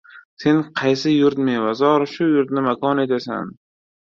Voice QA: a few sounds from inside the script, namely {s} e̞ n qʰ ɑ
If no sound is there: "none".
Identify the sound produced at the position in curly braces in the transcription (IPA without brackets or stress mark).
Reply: s